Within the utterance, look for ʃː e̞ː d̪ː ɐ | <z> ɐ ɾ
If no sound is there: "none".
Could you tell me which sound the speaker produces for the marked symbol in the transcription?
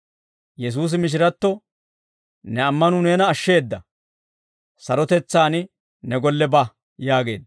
s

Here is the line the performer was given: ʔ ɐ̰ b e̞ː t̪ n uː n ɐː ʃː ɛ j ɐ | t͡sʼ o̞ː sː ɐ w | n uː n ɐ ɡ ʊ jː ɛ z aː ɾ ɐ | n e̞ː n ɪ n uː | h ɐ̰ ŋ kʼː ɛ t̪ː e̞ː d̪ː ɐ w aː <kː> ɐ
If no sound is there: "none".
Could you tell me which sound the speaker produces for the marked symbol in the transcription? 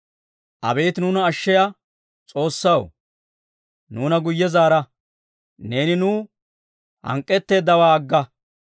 ɡː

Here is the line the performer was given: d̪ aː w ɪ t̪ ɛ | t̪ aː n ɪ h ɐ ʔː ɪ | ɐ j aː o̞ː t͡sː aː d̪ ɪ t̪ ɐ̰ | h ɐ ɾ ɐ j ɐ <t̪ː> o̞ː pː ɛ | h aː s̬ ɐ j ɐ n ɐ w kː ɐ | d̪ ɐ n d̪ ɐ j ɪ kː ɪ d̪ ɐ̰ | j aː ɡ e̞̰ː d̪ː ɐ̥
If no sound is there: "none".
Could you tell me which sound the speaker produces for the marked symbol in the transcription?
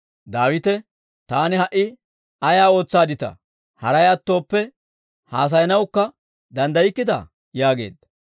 t̪ː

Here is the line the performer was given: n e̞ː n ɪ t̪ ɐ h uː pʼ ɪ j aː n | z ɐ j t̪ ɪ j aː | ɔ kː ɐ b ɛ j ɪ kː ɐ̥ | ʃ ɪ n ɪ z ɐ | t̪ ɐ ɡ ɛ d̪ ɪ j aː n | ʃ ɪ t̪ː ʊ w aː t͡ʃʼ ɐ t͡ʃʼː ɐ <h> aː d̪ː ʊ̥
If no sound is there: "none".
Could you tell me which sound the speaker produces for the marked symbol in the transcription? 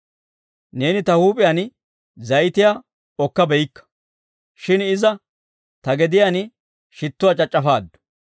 f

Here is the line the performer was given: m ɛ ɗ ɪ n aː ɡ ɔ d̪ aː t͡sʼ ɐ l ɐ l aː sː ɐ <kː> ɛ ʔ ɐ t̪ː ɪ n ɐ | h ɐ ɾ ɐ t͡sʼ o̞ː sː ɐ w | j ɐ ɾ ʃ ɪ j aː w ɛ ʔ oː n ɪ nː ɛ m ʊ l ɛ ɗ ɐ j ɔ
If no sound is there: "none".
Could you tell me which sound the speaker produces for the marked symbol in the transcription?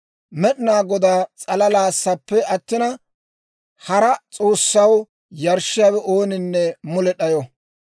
pː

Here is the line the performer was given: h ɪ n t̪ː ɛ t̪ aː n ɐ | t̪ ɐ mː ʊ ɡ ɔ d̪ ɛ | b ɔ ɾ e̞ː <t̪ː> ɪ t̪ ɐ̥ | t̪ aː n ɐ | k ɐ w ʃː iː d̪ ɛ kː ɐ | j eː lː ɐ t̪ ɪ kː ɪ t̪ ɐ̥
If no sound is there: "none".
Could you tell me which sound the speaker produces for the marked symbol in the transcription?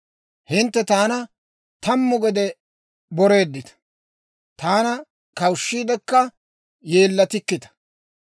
d̪ː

